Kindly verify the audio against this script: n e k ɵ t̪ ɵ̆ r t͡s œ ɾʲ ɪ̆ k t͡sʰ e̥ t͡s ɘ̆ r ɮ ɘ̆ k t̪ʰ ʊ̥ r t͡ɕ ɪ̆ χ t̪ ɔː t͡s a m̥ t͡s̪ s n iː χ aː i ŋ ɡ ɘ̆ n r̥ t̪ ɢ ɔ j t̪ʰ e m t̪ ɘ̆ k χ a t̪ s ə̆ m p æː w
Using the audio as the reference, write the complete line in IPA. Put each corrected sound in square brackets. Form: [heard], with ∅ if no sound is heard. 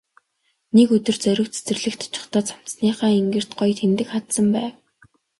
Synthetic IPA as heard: n e k ɵ t̪ ɵ̆ r t͡s œ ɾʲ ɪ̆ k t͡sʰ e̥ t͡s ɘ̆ r ɮ ɘ̆ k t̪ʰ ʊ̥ [∅] t͡ɕ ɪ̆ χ t̪ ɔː t͡s a m̥ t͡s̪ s n iː χ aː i ŋ ɡ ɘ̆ [∅] r̥ t̪ ɢ ɔ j t̪ʰ e m t̪ ɘ̆ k χ a t̪ s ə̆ m p æː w